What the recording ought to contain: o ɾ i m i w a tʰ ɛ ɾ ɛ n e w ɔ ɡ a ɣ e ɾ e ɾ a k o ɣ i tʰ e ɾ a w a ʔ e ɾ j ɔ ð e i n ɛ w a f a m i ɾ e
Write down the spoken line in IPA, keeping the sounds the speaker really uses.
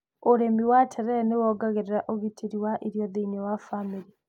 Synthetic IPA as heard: o ɾ e m i w a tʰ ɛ ɾ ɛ n e w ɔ ɡ a ɣ e ɾ e ɾ a ʔ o ɣ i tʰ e ɾ i w a ʔ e ɾ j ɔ ð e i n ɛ w a f a m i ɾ i